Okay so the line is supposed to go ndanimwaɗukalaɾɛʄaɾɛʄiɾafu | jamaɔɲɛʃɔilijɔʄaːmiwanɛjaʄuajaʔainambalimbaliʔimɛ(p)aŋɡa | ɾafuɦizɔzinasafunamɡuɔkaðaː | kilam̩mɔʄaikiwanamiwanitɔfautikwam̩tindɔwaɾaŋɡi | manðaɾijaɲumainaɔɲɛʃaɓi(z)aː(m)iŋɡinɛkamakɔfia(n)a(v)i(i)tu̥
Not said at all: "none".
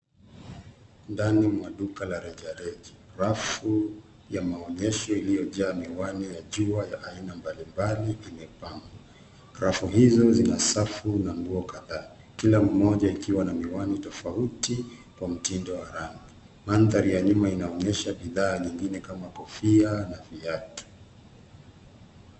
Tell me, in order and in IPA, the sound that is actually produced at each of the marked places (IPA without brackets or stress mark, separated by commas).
p, ð, ɲ, n, v, a